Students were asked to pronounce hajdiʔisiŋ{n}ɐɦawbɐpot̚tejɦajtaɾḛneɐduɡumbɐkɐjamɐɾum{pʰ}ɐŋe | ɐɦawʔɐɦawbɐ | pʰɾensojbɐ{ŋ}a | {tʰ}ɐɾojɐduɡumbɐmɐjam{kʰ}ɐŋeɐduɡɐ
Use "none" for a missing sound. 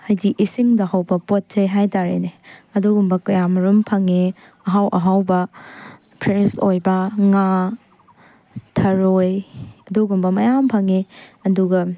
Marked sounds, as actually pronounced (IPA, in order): d, pʰ, ŋ, tʰ, pʰ

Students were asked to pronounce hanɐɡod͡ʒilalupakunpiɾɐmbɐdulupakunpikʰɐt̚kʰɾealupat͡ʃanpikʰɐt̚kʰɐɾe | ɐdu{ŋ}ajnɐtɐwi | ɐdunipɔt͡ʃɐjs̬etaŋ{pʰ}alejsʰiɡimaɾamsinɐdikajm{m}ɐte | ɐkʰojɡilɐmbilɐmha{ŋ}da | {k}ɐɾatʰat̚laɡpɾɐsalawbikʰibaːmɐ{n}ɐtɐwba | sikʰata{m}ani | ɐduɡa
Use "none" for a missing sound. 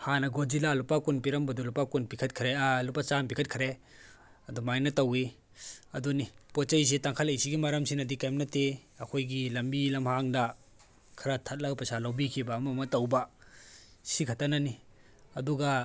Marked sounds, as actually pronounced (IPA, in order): m, kʰ, n, ŋ, kʰ, m, n

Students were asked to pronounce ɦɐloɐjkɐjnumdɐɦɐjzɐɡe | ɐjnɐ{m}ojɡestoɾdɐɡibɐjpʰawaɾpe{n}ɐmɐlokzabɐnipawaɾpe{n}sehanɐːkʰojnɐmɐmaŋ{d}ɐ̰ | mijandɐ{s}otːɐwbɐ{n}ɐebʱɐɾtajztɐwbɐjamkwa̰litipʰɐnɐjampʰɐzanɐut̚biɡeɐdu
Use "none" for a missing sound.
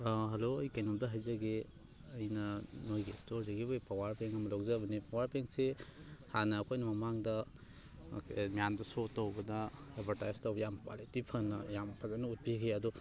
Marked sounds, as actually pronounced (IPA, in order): n, ŋ, ŋ, d, s, d

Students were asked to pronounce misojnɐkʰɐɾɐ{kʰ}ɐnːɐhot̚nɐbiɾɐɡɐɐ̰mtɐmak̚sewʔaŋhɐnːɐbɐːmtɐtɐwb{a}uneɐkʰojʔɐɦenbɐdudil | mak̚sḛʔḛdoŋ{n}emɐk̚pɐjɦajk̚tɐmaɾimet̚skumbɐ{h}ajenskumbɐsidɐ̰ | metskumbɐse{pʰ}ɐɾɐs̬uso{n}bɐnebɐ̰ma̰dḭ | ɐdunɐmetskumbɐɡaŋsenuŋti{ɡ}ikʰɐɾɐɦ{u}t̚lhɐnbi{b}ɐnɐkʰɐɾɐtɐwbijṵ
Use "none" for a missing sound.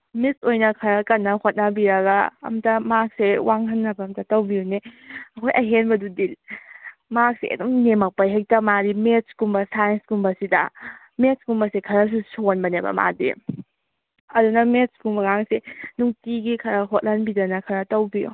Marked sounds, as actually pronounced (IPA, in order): k, i, n, s, kʰ, n, ɡ, o, d

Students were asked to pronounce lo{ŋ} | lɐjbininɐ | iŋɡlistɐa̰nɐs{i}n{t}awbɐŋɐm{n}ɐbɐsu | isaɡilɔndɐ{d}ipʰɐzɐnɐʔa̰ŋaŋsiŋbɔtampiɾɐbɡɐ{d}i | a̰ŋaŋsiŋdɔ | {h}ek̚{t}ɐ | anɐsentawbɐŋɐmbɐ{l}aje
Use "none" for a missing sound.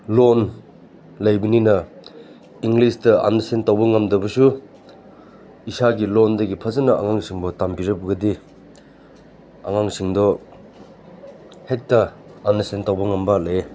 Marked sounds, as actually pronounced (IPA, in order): n, e, t, d, ɡ, d, h, t, l

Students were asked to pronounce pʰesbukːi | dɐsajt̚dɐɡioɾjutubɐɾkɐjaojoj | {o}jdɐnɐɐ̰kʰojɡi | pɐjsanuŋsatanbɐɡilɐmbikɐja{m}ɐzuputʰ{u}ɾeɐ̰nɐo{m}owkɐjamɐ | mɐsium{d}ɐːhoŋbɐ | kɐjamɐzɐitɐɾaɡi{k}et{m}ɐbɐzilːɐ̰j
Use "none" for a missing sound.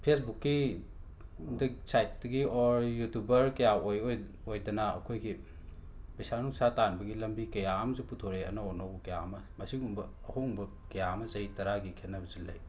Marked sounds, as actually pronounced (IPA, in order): o, m, o, n, b, kʰ, n

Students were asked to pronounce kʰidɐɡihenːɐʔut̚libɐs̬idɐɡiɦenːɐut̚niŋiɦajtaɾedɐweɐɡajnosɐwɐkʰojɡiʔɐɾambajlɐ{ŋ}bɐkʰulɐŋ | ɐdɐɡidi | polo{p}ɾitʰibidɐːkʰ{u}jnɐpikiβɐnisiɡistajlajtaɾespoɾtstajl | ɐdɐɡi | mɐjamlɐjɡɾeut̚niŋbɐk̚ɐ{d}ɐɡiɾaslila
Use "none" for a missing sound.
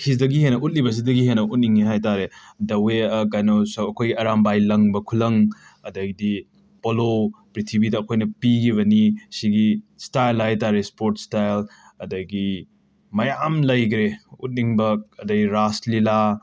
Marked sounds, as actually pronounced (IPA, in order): ŋ, p, o, d

